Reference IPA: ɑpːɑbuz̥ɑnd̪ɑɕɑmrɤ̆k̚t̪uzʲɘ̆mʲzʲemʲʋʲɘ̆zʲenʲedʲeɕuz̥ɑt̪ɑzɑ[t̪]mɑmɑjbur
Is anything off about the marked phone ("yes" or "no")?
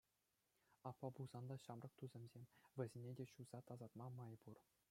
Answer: no